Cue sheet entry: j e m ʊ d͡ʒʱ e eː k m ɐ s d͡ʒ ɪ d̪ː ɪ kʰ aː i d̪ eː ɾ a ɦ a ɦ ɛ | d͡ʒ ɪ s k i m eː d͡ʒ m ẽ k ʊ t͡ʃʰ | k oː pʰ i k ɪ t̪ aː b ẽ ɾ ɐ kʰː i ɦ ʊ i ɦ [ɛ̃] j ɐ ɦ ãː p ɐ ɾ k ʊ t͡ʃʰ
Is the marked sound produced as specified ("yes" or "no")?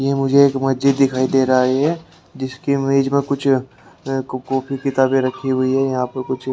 no